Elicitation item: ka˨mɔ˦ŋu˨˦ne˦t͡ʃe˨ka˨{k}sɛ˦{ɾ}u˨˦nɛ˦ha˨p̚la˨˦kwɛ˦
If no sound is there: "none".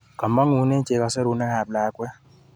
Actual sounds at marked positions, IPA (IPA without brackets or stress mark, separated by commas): none, ɾ